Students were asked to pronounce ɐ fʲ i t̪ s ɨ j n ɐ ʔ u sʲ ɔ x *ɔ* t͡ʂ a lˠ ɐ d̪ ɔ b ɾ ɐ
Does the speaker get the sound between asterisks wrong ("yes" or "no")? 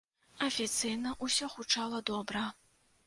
yes